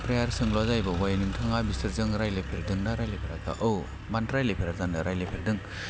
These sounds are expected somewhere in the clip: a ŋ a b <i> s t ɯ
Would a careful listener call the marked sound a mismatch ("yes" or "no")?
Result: no